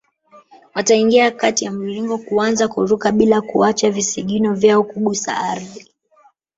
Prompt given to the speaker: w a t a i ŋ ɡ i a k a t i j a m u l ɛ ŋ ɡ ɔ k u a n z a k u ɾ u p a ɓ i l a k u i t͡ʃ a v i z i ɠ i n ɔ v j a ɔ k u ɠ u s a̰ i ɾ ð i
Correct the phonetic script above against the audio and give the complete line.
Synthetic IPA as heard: w a t a i ŋ ɡ i a k a t i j a m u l i ŋ ɡ ɔ k u a n z a k u ɾ u k a ɓ i l a k u a t͡ʃ a v i s i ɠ i n ɔ v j a ɔ k u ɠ u s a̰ a ɾ ð i

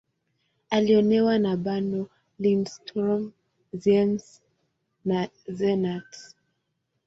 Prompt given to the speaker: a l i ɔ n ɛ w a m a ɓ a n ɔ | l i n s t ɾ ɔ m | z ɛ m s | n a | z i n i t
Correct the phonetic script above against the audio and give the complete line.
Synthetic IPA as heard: a l i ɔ n ɛ w a n a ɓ a n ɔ | l i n s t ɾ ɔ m | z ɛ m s | n a | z ɛ n a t

